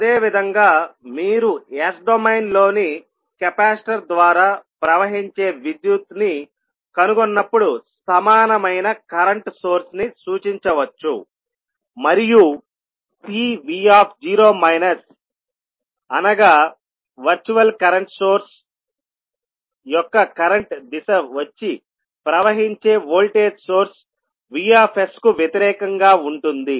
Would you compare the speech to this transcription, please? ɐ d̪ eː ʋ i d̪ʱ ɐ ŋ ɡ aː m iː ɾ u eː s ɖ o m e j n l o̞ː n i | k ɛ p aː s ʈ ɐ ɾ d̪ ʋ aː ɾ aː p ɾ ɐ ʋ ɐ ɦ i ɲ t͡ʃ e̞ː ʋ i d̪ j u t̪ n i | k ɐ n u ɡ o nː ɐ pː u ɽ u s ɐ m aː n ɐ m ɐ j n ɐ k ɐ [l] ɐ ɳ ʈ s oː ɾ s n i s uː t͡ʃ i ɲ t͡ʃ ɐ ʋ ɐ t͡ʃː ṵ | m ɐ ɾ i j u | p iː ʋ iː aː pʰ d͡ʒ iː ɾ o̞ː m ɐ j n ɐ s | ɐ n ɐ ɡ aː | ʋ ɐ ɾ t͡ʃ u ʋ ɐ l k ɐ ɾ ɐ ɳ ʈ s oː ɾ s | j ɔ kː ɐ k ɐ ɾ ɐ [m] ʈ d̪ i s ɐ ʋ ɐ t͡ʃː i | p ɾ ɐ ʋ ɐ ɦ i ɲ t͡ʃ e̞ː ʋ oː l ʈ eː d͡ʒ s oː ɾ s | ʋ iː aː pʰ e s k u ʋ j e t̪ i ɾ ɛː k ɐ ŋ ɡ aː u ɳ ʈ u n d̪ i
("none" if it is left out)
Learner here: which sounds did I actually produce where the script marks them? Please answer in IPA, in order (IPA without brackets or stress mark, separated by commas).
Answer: ɾ, ɳ